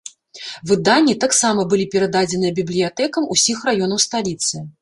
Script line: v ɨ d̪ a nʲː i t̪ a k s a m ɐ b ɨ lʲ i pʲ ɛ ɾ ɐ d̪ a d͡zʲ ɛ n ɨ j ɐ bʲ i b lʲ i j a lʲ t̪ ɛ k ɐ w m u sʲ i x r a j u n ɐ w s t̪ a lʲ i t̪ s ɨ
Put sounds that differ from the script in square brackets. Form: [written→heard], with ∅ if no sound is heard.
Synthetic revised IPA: v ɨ d̪ a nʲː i t̪ a k s a m ɐ b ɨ lʲ i pʲ ɛ ɾ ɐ d̪ a d͡zʲ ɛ n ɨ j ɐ bʲ i b lʲ i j a [lʲ→∅] t̪ ɛ k ɐ [w→∅] m u sʲ i x r a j [u→ɔ] n ɐ w s t̪ a lʲ i t̪ s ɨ